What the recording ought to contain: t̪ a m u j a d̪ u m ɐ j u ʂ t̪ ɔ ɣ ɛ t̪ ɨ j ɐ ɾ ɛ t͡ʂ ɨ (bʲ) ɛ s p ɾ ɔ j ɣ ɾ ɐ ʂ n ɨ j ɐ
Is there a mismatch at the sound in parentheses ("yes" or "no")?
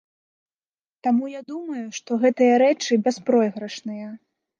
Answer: no